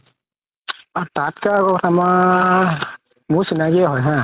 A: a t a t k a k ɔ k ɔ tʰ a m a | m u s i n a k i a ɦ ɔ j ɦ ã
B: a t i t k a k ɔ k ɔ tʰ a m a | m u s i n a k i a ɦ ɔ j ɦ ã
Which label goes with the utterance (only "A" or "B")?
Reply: A